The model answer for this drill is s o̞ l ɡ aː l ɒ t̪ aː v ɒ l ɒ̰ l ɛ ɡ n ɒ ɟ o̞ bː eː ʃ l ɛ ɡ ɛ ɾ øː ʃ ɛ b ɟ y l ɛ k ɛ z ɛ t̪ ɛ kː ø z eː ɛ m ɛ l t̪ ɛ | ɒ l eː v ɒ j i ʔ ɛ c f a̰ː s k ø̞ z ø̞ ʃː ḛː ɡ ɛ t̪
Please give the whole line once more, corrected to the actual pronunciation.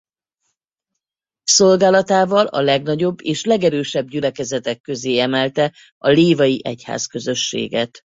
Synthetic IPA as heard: s o̞ l ɡ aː l ɒ t̪ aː v ɒ l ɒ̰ l ɛ ɡ n ɒ ɟ o̞ bː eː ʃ l ɛ ɡ ɛ ɾ øː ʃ ɛ b ɟ y l ɛ k ɛ z ɛ t̪ ɛ kː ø z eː ɛ m ɛ l t̪ ɛ | ɒ l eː v ɒ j i ʔ ɛ c h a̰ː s k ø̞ z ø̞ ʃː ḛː ɡ ɛ t̪